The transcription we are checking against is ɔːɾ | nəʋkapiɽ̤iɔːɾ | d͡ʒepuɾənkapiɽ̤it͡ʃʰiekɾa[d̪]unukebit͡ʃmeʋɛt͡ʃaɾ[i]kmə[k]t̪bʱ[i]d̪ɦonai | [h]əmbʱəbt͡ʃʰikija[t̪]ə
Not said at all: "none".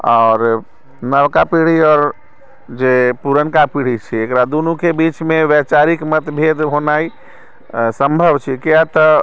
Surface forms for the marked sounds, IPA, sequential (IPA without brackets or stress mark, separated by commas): d̪, i, none, e, s, t̪